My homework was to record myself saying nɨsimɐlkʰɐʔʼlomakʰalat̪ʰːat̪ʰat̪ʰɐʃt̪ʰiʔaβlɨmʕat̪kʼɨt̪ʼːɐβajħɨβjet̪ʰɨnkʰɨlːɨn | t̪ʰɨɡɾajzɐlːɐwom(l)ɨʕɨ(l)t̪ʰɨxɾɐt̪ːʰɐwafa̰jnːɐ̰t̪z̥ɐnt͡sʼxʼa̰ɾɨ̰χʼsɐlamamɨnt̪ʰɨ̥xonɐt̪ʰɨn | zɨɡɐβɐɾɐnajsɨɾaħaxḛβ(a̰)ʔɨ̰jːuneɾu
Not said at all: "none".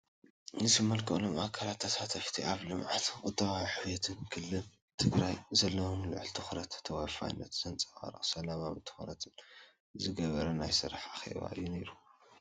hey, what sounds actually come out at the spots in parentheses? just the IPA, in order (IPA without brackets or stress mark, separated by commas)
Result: l, l, a̰